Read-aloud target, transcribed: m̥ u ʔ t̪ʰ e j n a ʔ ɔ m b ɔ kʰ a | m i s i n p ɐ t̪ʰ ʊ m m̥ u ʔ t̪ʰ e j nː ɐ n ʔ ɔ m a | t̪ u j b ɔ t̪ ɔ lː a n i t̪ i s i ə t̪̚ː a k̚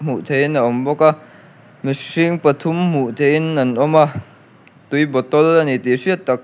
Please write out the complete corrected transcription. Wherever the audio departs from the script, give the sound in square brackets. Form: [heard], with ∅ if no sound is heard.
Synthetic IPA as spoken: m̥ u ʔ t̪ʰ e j n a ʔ ɔ m b ɔ [k] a | m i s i [ŋ] p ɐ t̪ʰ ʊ m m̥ u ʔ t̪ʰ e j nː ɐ n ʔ ɔ m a | t̪ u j b ɔ t̪ ɔ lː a n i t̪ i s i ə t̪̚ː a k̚